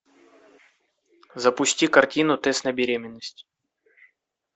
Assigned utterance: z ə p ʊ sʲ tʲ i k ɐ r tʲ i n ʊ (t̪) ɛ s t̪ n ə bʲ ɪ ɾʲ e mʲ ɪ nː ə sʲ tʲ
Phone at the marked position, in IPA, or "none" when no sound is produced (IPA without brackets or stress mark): t̪